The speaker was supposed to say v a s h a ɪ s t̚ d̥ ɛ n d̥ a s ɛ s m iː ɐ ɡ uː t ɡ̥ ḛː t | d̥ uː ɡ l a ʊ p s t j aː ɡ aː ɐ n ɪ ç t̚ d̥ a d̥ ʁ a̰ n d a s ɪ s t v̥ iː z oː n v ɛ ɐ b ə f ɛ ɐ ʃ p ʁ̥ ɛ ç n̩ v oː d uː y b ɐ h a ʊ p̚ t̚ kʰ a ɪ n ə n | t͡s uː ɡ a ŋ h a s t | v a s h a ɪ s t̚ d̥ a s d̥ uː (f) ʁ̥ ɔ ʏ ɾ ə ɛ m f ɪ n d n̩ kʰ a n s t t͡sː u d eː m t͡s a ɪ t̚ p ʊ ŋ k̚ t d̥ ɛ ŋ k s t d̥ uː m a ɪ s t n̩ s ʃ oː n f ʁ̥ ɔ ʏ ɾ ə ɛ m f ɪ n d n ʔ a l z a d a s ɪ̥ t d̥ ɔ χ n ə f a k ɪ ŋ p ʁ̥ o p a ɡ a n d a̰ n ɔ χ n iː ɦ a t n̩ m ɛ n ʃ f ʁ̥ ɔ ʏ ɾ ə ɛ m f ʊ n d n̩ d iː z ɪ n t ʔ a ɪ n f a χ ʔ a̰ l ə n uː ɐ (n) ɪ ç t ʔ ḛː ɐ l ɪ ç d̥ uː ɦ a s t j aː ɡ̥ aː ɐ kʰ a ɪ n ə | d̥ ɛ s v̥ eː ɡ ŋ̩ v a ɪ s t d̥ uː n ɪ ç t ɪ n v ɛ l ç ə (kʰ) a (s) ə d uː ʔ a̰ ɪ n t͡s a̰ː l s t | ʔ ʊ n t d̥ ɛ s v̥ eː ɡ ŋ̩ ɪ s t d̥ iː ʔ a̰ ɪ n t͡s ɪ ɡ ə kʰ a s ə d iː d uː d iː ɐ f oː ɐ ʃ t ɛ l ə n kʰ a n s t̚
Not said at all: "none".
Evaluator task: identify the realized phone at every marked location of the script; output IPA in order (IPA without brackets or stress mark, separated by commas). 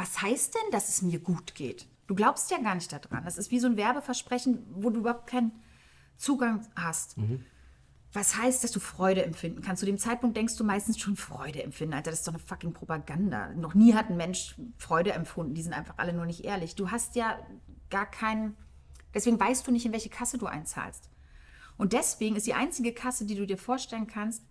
f, n, kʰ, s